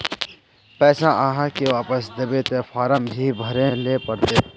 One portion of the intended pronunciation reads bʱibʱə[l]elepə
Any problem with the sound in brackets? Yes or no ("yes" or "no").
yes